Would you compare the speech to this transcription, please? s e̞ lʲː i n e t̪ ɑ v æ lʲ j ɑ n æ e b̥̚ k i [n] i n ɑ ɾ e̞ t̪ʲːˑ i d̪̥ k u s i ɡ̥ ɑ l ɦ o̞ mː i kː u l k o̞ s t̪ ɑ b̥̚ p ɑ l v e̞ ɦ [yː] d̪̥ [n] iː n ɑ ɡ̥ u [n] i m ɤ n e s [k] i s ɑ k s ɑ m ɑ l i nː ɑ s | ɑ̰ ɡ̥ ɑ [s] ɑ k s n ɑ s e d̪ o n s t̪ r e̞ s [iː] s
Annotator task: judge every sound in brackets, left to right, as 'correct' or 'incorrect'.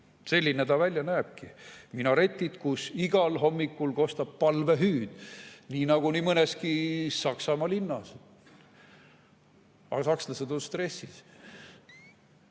incorrect, correct, correct, correct, correct, correct, incorrect

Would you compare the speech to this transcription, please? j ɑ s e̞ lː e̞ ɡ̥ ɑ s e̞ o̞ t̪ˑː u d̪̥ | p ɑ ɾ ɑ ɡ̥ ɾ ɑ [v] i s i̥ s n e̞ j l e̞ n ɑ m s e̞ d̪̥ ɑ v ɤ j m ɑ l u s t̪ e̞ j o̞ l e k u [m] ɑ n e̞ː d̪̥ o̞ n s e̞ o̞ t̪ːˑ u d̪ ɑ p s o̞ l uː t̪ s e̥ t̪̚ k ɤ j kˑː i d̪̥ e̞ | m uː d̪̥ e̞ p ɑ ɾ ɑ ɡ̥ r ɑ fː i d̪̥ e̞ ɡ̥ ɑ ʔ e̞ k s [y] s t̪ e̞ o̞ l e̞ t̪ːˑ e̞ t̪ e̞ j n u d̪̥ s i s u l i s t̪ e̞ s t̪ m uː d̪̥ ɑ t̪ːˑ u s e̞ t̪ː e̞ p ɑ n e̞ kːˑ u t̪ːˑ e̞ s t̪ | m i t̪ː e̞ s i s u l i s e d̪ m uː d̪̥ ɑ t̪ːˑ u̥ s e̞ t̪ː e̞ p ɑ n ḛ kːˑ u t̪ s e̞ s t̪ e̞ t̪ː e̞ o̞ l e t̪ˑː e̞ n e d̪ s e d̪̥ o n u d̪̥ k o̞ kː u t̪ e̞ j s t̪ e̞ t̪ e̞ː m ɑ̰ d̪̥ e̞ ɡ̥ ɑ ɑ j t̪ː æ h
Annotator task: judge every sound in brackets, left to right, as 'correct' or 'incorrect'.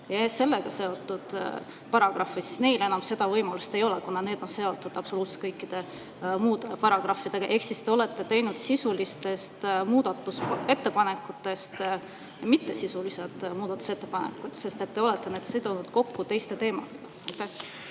incorrect, incorrect, incorrect

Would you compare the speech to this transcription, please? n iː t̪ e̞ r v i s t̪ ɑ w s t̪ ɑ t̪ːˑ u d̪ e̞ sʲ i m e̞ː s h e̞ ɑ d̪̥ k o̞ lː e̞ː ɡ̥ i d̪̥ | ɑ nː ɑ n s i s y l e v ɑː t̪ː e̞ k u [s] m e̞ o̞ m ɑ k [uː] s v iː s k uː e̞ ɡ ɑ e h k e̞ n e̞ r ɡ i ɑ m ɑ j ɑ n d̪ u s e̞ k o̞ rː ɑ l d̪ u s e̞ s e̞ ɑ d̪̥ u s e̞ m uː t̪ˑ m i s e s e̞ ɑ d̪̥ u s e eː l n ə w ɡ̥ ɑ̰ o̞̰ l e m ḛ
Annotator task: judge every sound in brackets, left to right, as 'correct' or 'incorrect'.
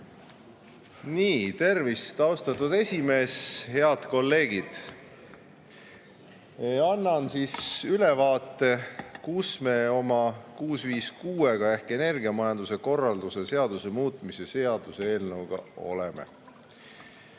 correct, correct

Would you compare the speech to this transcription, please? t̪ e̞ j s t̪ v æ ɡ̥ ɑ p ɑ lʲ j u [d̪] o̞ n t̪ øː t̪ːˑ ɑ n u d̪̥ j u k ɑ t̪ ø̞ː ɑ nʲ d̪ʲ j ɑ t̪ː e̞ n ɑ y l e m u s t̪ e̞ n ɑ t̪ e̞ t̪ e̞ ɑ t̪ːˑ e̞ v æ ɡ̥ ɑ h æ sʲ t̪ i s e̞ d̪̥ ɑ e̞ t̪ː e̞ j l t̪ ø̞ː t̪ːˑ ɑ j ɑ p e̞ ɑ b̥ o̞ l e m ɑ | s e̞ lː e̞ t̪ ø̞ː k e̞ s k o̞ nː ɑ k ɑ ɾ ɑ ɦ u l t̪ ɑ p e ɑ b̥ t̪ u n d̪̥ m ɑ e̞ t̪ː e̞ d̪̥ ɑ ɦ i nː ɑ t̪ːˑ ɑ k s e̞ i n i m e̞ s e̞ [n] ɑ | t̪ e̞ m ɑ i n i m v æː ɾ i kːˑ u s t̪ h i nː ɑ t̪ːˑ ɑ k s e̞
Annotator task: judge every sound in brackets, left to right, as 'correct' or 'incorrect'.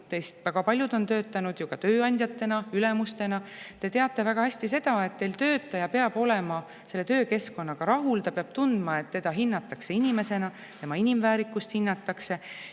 correct, correct

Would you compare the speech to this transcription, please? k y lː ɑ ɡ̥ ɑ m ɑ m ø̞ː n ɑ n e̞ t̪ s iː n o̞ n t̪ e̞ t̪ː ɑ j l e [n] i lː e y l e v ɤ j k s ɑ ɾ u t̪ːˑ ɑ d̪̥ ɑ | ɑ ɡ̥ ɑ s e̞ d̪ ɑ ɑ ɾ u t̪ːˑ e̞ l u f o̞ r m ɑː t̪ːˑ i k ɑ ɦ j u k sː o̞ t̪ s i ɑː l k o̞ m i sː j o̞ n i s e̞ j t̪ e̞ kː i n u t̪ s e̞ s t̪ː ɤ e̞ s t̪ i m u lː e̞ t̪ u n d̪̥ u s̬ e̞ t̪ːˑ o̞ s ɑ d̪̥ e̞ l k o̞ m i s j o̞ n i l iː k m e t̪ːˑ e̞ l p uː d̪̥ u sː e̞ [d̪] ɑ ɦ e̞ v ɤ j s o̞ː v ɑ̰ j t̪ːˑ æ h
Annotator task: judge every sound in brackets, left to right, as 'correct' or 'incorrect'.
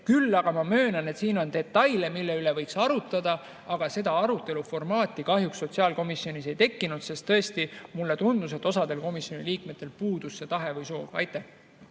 incorrect, incorrect

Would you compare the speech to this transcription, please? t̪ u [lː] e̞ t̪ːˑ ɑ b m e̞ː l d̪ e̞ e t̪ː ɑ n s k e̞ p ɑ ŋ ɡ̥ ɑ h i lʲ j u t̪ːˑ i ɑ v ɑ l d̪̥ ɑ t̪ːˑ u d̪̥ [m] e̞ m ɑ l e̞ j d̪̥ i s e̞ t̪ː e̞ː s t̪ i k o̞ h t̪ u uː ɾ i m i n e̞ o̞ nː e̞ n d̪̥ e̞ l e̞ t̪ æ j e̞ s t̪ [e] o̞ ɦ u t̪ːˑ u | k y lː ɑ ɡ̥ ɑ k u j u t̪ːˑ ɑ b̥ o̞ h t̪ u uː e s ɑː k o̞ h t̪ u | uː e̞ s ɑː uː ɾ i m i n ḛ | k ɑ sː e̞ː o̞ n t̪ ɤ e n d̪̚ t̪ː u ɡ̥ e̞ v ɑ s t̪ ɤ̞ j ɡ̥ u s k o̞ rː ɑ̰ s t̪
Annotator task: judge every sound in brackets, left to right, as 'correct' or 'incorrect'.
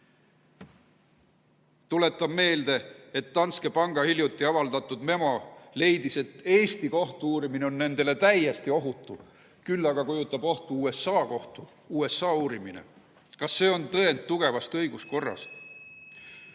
incorrect, correct, incorrect

